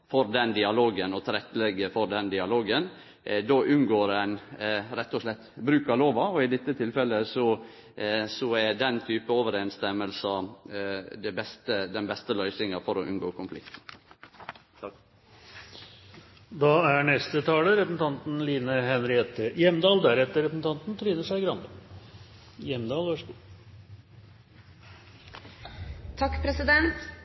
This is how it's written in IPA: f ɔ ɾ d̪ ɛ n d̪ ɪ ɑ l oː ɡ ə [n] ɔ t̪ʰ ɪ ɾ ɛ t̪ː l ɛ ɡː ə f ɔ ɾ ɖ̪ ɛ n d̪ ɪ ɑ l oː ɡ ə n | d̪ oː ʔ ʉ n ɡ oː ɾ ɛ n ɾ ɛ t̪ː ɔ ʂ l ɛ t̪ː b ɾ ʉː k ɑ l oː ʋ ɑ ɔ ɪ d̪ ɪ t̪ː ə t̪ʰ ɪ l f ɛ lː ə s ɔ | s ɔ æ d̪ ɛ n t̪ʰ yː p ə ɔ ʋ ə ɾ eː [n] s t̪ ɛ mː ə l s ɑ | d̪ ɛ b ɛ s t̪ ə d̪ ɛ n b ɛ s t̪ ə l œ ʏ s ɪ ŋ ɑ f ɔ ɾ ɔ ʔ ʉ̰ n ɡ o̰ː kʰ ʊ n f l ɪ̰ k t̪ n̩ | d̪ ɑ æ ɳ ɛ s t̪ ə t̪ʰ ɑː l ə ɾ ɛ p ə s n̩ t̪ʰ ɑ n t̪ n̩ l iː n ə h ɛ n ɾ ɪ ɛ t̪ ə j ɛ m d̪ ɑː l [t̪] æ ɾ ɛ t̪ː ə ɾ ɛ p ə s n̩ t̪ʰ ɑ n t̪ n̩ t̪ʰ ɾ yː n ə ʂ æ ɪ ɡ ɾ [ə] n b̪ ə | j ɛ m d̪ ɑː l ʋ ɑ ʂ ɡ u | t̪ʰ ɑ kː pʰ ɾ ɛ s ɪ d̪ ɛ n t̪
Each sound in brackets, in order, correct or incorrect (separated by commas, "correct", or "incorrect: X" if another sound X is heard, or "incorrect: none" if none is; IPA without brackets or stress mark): correct, correct, incorrect: d̪, incorrect: ɑ